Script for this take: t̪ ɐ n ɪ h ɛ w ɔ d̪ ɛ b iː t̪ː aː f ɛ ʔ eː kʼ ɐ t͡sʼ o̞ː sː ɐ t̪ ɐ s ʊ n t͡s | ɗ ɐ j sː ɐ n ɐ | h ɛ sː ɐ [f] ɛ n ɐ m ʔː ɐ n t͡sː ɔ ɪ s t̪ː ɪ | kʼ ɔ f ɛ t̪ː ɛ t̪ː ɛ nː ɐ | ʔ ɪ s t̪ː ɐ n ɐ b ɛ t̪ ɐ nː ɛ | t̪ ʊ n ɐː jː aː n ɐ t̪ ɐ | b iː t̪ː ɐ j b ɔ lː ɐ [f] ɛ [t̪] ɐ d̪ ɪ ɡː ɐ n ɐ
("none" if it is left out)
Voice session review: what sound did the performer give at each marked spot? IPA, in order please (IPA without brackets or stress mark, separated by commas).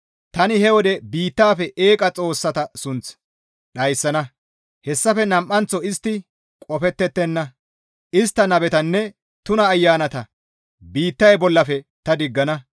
f, f, t̪